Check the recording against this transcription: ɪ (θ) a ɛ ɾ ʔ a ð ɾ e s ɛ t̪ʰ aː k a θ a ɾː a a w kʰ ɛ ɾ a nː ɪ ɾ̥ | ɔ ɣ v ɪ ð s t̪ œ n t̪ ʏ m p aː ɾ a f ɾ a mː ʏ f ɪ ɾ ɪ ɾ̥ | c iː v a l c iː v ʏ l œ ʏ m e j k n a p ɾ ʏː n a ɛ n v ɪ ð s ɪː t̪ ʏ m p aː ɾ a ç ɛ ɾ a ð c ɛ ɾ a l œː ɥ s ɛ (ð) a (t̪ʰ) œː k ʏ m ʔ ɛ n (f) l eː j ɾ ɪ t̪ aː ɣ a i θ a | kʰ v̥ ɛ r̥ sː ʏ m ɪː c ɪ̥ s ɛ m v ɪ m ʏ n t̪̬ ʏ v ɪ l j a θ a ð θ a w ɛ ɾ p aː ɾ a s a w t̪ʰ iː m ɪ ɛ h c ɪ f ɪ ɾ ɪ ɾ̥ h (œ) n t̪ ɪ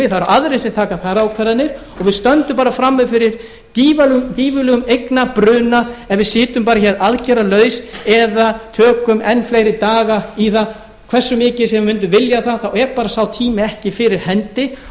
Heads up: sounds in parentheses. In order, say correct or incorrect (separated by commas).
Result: correct, correct, correct, correct, incorrect